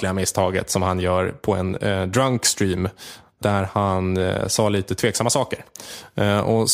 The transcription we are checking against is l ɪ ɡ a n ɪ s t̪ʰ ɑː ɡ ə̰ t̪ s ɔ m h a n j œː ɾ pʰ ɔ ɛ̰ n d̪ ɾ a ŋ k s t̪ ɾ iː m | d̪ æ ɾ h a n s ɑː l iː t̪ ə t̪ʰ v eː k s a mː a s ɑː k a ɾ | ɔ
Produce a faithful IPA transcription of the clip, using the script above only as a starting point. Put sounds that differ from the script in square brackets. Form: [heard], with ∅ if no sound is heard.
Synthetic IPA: l ɪ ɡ a [m] ɪ s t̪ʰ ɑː ɡ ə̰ t̪ s ɔ m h a n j œː ɾ pʰ ɔ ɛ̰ n d̪ ɾ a ŋ k s t̪ ɾ iː m | d̪ æ ɾ h a n s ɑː l iː t̪ ə t̪ʰ v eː k s a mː a s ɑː k [ə] ɾ | ɔ